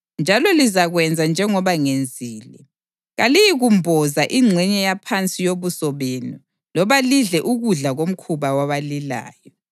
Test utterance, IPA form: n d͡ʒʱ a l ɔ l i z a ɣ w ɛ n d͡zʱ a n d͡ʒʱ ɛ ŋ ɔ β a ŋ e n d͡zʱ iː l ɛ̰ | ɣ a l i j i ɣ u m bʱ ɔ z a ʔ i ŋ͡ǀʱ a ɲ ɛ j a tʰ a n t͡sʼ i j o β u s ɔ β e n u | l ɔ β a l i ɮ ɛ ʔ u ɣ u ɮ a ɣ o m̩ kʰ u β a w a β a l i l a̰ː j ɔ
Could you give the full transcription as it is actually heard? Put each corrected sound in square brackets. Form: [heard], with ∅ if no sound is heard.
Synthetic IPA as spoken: n d͡ʒʱ a l ɔ l i z a ɣ w ɛ n d͡zʱ a n d͡ʒʱ ɛ ŋ ɔ β a ŋ e n d͡zʱ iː l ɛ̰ | ɣ a l i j i ɣ u m bʱ ɔ z a ʔ i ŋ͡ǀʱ [ɛ] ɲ ɛ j a [pʰ] a n t͡sʼ i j o β u s ɔ β e n u | l ɔ β a l i ɮ ɛ ʔ u ɣ u ɮ a ɣ o m̩ kʰ u β a w a β a l i l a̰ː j ɔ

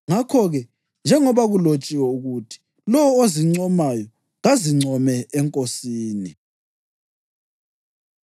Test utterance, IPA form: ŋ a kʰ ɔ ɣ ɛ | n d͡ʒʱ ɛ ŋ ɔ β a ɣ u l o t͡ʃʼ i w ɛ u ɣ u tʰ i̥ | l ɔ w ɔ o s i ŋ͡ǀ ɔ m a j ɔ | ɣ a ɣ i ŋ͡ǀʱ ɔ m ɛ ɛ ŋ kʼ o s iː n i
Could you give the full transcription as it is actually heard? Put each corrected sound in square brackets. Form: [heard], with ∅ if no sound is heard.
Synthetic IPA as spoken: ŋ a kʰ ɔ ɣ ɛ | n d͡ʒʱ ɛ ŋ ɔ β a ɣ u l o t͡ʃʼ i w ɛ u ɣ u tʰ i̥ | l ɔ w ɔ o [z] i ŋ͡ǀ ɔ m a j ɔ | ɣ a [z] i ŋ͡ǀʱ ɔ m ɛ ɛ ŋ kʼ o s iː n i

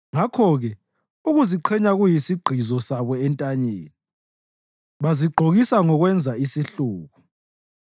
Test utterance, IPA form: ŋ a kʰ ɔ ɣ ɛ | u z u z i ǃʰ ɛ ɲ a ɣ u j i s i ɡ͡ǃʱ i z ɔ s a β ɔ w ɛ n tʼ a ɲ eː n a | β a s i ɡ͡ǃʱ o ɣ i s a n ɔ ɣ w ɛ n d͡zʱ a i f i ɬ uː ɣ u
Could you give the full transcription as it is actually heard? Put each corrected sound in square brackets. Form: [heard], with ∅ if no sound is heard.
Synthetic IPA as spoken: ŋ a kʰ ɔ ɣ ɛ | u [ɣ] u z i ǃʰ ɛ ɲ a ɣ u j i s i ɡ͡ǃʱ i z ɔ s a β ɔ [∅] ɛ n tʼ a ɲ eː n [i] | β a [z] i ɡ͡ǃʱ o ɣ i s a [ŋ] ɔ ɣ w ɛ n d͡zʱ a i [s] i ɬ uː ɣ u

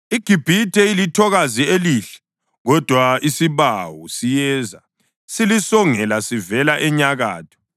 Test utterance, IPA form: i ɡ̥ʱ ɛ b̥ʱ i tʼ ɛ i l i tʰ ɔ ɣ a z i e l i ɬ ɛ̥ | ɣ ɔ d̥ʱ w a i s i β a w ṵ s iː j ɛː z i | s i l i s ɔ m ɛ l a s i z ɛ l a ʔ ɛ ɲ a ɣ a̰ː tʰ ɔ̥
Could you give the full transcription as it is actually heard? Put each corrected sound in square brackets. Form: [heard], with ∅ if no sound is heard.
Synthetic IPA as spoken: i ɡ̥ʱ [i] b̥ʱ i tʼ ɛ i l i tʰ ɔ ɣ a z i e l i ɬ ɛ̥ | ɣ ɔ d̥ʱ w a i s i β a w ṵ s [i] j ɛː z [a] | s i l i s ɔ [ŋ] ɛ l a s i [v] ɛ l a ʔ ɛ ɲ a ɣ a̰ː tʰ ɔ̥

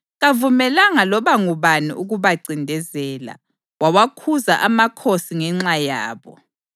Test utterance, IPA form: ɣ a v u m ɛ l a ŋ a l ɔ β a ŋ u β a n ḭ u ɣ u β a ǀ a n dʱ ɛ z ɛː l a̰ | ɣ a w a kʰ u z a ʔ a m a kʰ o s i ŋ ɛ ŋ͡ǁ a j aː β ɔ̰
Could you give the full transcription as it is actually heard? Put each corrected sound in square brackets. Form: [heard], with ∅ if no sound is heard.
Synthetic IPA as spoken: ɣ a v u m ɛ l a ŋ a l ɔ β a ŋ u β a n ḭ u ɣ u β a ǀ [i] n dʱ ɛ z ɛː l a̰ | [w] a w a kʰ u z a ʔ a m a kʰ o s i ŋ ɛ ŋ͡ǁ a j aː β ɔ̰

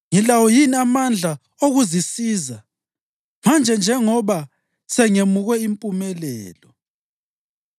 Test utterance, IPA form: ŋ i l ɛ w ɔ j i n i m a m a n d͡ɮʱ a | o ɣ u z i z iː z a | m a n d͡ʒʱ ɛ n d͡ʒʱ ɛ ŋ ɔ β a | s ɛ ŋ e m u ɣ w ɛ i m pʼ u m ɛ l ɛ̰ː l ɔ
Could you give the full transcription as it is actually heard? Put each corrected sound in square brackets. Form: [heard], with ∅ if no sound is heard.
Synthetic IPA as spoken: ŋ i l [a] w ɔ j i n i [∅] a m a n d͡ɮʱ a | o ɣ u z i [s] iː z a | m a n d͡ʒʱ ɛ n d͡ʒʱ ɛ ŋ ɔ β a | s ɛ ŋ e m u ɣ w ɛ i m pʼ u m ɛ l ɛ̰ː l ɔ

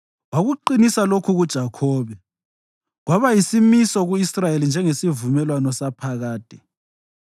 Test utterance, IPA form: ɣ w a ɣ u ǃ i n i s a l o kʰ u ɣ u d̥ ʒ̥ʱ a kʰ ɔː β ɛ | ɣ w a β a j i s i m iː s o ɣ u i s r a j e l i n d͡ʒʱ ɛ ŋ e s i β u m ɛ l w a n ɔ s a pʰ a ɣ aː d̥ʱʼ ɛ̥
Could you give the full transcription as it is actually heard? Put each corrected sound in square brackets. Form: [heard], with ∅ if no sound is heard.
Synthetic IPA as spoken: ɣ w a ɣ u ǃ i n i s a l o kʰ u ɣ u d̥ ʒ̥ʱ a kʰ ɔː β ɛ | ɣ w a β a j i s i m [i] s [ɔ] ɣ u i s r a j e l i n d͡ʒʱ ɛ ŋ e s i [v] u m ɛ l w a n ɔ s a pʰ a ɣ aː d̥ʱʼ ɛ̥

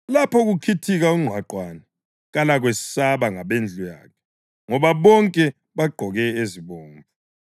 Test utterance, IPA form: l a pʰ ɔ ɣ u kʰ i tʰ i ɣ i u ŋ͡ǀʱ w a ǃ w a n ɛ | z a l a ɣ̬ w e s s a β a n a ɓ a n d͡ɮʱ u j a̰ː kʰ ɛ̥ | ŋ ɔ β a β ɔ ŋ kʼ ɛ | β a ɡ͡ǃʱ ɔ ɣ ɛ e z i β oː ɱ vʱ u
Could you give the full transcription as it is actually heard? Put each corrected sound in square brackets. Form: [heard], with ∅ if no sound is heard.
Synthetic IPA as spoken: l a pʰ ɔ ɣ u kʰ i tʰ i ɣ [a] u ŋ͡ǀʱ w a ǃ w a n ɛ | [ɣ] a l a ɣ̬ w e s s a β a [ŋ] a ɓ [e] n d͡ɮʱ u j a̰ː kʰ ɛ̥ | ŋ ɔ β a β ɔ ŋ kʼ ɛ | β a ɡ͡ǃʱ ɔ ɣ ɛ e z i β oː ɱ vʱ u

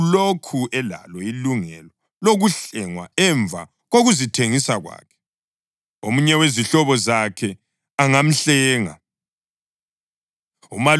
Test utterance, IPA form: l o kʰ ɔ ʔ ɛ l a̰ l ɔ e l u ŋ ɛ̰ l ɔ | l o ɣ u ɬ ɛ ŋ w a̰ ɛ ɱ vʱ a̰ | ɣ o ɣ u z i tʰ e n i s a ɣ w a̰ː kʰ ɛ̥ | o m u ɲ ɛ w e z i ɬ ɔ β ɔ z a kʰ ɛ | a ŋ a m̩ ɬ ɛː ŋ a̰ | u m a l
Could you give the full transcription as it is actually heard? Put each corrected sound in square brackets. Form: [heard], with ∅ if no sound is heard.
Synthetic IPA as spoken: l o kʰ [u] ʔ ɛ l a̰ l ɔ [i] l u ŋ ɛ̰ l ɔ | l o ɣ u ɬ ɛ ŋ w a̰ ɛ ɱ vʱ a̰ | ɣ o ɣ u z i tʰ e [ŋ] i s a ɣ w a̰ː kʰ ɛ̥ | o m u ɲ ɛ w e z i ɬ ɔ β ɔ z a kʰ ɛ | a ŋ a m̩ ɬ ɛː ŋ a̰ | u m a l

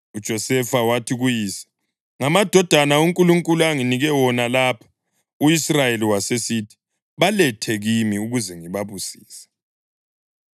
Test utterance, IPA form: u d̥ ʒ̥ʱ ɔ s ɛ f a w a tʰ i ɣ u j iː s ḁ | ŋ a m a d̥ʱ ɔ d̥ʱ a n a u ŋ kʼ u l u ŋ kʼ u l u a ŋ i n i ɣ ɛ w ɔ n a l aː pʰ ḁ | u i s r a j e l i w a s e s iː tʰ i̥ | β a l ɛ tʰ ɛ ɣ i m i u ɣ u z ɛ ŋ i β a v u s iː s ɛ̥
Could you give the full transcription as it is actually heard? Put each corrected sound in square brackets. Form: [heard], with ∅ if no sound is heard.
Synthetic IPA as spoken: u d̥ ʒ̥ʱ ɔ s ɛ f a w a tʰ i ɣ u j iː s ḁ | ŋ a m a d̥ʱ ɔ d̥ʱ a n a u ŋ kʼ u l u ŋ kʼ u l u a ŋ i n i ɣ ɛ w ɔ n a l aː pʰ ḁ | u i s r a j e l i w a s e s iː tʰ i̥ | β a l ɛ tʰ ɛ ɣ i m i u ɣ u z ɛ ŋ i β a [β] u s iː s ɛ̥

